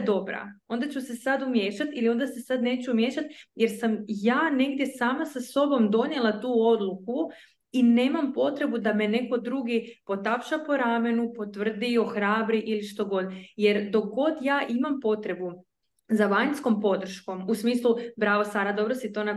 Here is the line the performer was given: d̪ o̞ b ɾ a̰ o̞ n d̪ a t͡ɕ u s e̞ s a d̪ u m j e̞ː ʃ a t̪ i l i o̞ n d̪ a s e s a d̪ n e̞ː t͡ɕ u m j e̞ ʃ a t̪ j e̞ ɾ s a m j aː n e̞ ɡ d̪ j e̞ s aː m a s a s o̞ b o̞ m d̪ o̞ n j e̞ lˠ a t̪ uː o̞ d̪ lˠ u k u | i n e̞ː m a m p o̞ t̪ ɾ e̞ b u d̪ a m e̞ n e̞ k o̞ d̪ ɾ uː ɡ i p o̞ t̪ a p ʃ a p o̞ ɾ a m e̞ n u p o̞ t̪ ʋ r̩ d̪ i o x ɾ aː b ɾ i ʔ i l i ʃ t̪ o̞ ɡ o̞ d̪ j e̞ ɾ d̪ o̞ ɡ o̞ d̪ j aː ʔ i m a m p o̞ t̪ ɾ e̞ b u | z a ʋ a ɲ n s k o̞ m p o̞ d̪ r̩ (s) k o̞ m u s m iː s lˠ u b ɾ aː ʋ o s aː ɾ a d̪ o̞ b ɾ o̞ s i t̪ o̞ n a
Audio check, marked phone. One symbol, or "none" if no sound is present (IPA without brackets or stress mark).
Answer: ʃ